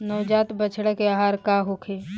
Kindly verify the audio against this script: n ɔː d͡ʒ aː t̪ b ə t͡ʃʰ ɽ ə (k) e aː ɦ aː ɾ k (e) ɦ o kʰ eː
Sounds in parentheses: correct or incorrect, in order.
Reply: correct, incorrect: a

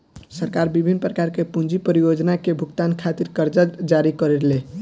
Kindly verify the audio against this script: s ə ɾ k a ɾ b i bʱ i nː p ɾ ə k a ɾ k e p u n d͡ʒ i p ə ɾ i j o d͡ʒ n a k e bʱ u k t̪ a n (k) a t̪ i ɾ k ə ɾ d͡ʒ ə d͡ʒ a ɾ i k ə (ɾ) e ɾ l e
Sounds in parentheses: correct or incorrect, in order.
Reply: incorrect: kʰ, correct

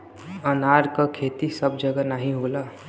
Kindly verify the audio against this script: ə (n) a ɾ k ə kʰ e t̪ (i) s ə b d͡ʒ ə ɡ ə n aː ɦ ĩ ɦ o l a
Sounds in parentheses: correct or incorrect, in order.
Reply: correct, correct

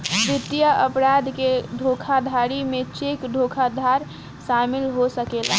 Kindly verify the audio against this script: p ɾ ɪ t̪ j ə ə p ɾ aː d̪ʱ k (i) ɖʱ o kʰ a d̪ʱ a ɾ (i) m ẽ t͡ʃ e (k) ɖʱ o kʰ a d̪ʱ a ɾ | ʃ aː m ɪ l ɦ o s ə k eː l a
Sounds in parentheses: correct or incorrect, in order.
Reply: incorrect: e, correct, correct

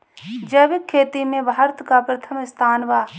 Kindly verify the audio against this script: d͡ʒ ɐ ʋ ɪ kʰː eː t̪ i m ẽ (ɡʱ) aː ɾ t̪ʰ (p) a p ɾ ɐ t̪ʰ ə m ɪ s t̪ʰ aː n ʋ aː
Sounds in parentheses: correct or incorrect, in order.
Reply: incorrect: bʱ, incorrect: k

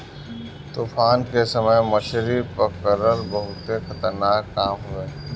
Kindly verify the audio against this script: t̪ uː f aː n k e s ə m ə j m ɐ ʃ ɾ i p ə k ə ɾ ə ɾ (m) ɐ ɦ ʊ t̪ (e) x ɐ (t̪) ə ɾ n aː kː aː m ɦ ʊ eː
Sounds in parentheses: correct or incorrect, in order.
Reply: incorrect: b, correct, correct

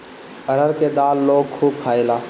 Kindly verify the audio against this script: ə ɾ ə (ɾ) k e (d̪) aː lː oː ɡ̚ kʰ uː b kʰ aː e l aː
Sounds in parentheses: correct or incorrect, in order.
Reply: correct, correct

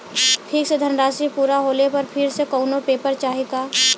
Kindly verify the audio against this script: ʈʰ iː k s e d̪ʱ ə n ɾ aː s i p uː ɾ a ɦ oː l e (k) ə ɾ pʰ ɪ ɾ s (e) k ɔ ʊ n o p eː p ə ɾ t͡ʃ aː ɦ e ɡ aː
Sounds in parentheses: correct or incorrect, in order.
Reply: incorrect: p, correct

